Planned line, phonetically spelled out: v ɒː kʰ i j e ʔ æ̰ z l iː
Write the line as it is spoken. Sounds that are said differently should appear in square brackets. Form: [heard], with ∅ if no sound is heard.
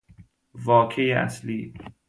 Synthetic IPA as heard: v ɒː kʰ [e] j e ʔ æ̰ [s] l iː